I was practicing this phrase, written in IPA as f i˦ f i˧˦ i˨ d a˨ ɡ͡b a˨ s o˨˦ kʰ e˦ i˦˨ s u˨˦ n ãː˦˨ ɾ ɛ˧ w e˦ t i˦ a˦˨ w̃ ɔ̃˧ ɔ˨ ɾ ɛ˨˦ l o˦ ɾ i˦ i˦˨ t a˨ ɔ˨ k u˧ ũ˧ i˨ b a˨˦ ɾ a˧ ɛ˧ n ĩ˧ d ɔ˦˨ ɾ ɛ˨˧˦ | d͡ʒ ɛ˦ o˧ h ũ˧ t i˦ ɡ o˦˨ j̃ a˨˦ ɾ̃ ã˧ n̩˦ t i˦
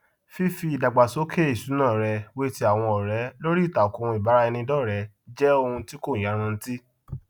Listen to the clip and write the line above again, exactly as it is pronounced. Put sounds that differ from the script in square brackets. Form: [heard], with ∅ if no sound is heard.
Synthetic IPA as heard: f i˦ f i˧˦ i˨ d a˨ ɡ͡b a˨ s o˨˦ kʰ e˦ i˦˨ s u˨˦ n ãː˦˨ ɾ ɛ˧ w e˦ t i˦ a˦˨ w̃ ɔ̃˧ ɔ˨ ɾ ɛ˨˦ l o˦ ɾ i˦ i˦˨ t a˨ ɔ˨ k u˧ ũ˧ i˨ b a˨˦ ɾ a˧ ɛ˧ n ĩ˧ d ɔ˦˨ ɾ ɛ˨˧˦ | d͡ʒ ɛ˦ o˧ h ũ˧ t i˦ [k] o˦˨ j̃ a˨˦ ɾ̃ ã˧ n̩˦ t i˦

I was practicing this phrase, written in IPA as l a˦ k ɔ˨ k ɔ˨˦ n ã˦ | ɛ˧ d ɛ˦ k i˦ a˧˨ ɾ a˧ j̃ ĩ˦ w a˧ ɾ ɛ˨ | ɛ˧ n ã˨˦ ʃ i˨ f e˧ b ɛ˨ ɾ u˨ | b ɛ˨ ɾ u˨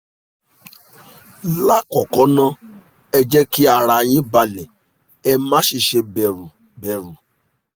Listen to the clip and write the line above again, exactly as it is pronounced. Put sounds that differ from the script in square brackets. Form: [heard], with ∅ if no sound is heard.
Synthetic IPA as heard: l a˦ k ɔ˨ k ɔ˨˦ n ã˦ | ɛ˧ [d͡ʒ] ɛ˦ k i˦ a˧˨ ɾ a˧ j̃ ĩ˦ [b] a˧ [l] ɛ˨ | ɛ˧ [m] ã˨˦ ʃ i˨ [ʃ] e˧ b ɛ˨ ɾ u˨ | b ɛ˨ ɾ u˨

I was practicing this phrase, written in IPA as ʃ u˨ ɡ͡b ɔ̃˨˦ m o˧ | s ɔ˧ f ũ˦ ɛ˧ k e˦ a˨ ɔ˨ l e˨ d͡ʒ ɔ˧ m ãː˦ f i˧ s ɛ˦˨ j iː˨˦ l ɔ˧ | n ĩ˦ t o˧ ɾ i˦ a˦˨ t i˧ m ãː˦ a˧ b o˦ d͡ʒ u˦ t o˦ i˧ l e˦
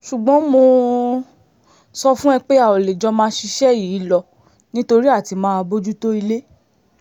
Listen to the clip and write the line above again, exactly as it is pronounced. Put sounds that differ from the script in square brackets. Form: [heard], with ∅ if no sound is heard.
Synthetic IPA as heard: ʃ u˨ ɡ͡b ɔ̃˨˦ m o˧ | s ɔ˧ f ũ˦ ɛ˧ [k͡p] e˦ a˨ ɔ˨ l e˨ d͡ʒ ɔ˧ m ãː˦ [ʃ] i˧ [ʃ] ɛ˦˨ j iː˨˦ l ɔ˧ | n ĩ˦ t o˧ ɾ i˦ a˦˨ t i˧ m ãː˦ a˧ b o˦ d͡ʒ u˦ t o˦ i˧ l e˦

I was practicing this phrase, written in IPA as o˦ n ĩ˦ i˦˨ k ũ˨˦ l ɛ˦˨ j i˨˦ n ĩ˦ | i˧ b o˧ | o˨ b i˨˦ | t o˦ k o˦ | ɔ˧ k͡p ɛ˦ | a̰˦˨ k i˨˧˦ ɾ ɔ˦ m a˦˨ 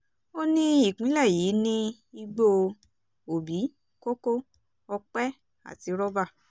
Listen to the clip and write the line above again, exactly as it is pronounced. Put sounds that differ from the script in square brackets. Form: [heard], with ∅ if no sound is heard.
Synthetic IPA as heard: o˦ n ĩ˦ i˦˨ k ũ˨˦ l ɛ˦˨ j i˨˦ n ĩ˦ | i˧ [ɡ͡b] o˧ | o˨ b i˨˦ | [k] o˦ k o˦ | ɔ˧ k͡p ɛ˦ | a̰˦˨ [t] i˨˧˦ ɾ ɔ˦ [b] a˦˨

